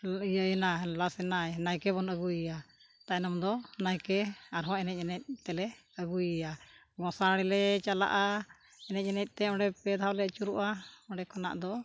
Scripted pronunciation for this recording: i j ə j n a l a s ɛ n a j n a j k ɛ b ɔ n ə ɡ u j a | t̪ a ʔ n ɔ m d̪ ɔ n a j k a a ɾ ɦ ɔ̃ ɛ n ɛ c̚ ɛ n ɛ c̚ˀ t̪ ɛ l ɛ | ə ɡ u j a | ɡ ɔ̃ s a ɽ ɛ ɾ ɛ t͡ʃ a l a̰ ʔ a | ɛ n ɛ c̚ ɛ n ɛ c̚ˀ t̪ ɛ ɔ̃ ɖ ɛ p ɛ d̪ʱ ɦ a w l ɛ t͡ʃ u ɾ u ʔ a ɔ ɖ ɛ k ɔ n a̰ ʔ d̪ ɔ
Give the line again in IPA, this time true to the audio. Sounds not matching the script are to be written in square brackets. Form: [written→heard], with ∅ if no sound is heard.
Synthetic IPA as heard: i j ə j n a l a s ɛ n a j n a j k ɛ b ɔ n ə ɡ u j a | t̪ a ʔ n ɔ m d̪ ɔ n a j k [a→ɛ] a ɾ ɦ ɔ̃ ɛ n ɛ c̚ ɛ n ɛ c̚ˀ t̪ ɛ l ɛ | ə ɡ u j a | ɡ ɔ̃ s a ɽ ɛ [ɾ→l] ɛ t͡ʃ a l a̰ ʔ a | ɛ n ɛ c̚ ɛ n ɛ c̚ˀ t̪ ɛ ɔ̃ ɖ ɛ p ɛ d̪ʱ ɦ a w l ɛ t͡ʃ u ɾ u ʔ a ɔ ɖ ɛ k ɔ n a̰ ʔ d̪ ɔ

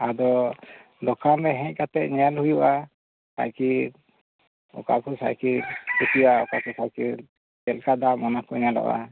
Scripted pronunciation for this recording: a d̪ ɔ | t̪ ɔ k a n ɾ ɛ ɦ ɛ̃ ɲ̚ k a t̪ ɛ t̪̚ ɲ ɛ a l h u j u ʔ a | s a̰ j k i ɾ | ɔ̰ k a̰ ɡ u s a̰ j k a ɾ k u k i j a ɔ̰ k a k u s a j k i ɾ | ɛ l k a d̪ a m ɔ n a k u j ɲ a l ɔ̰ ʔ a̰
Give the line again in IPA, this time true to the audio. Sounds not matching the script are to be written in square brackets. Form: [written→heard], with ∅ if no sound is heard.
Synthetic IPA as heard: a d̪ ɔ | [t̪→d̪] ɔ k a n ɾ ɛ ɦ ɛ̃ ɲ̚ k a t̪ ɛ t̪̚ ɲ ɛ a l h u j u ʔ a | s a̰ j k i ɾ | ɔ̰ k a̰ [ɡ→k] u s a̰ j k [a→i] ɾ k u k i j a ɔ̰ k a k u s a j k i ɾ | ɛ l k a d̪ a m ɔ n a k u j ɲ a l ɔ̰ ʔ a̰

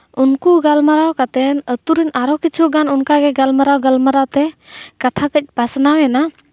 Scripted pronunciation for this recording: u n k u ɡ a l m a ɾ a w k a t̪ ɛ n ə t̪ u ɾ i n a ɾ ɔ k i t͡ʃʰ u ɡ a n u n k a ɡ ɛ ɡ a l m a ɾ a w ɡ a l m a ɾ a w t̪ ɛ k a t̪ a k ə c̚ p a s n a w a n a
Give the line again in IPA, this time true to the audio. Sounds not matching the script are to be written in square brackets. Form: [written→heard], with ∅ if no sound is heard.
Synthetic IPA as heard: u n k u ɡ a l m a ɾ a w k a t̪ ɛ n ə t̪ u ɾ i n a ɾ ɔ k i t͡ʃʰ u ɡ a n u n k a ɡ ɛ ɡ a l m a ɾ a w ɡ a l m a ɾ a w t̪ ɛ k a [t̪→t̪ʰ] a k ə c̚ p a s n a w [a→ɛ] n a

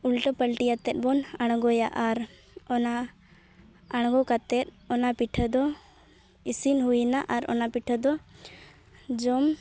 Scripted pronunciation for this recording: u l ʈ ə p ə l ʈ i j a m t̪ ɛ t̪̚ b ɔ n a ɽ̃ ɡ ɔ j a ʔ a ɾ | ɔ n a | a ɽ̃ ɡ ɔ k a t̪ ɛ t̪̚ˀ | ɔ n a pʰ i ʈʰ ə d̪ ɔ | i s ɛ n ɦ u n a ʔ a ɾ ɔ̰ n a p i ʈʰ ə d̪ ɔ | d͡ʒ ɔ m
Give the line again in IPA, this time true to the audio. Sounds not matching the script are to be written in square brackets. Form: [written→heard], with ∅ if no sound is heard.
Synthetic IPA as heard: u l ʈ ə p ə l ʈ i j a [m→∅] t̪ ɛ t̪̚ b ɔ n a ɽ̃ ɡ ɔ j a ʔ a ɾ | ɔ n a | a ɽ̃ ɡ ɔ k a t̪ ɛ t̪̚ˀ | ɔ n a [pʰ→p] i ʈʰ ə d̪ ɔ | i s [ɛ→i] n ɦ u n a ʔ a ɾ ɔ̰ n a p i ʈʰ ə d̪ ɔ | d͡ʒ ɔ m

